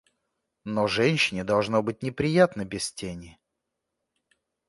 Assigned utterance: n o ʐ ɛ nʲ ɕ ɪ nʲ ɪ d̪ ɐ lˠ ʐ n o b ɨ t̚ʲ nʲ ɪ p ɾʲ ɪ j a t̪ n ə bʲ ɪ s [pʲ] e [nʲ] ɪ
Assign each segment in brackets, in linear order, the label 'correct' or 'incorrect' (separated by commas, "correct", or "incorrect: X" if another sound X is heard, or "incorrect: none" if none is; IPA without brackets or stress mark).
incorrect: tʲ, correct